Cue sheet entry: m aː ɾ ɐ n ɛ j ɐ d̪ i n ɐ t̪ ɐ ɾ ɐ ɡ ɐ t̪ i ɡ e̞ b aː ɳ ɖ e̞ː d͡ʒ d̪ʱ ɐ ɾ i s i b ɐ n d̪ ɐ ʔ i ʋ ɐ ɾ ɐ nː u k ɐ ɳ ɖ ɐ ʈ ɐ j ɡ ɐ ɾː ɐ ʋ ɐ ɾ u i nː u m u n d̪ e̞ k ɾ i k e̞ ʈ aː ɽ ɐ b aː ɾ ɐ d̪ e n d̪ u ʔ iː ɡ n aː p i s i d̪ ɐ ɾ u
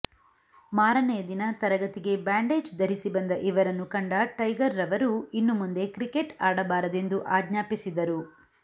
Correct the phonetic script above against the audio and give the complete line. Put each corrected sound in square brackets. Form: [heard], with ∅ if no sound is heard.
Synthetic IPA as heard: m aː ɾ ɐ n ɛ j ɐ d̪ i n ɐ t̪ ɐ ɾ ɐ ɡ ɐ t̪ i ɡ e̞ b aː ɳ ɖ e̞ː d͡ʒ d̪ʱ ɐ ɾ i s i b ɐ n d̪ ɐ ʔ i ʋ ɐ ɾ ɐ nː u k ɐ ɳ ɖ ɐ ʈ ɐ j ɡ ɐ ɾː ɐ ʋ ɐ ɾ u i nː u m u n d̪ e̞ k ɾ i k e̞ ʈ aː ɽ ɐ b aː ɾ ɐ d̪ e n d̪ u ʔ [aː] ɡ [ɲ] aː p i s i d̪ ɐ ɾ u

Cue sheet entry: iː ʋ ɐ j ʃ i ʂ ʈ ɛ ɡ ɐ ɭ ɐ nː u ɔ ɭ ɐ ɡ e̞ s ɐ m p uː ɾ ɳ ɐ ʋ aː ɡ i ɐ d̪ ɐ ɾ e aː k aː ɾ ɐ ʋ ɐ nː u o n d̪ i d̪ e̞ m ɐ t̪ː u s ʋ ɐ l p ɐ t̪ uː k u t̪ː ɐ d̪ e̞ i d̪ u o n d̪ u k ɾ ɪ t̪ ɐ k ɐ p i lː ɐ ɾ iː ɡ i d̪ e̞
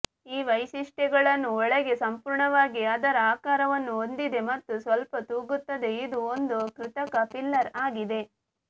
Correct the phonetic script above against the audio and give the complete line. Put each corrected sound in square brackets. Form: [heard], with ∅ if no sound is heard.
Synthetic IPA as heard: iː ʋ ɐ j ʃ i ʂ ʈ ɛ ɡ ɐ ɭ ɐ nː u ɔ ɭ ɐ ɡ e̞ s ɐ m p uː ɾ ɳ ɐ ʋ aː ɡ i ɐ d̪ ɐ ɾ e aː k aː ɾ ɐ ʋ ɐ nː u o n d̪ i d̪ e̞ m ɐ t̪ː u s ʋ ɐ l p ɐ t̪ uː [ɡ] u t̪ː ɐ d̪ e̞ i d̪ u o n d̪ u k ɾ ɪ t̪ ɐ k ɐ p i lː ɐ ɾ [aː] ɡ i d̪ e̞

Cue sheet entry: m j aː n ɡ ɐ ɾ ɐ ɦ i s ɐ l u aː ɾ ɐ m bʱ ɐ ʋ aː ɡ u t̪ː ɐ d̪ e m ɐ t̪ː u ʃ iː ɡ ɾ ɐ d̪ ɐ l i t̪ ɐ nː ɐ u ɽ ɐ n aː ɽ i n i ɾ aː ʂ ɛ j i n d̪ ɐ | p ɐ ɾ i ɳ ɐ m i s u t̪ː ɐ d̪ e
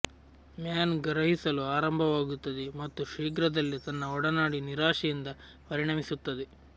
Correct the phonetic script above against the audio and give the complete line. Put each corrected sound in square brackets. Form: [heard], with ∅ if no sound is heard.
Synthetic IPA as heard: m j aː n ɡ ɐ ɾ ɐ ɦ i s ɐ l u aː ɾ ɐ m bʱ ɐ ʋ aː ɡ u t̪ː ɐ d̪ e m ɐ t̪ː u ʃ iː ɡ ɾ ɐ d̪ ɐ [lː] i t̪ ɐ nː ɐ [ɔ] ɽ ɐ n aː ɽ i n i ɾ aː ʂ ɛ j i n d̪ ɐ | p ɐ ɾ i ɳ ɐ m i s u t̪ː ɐ d̪ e

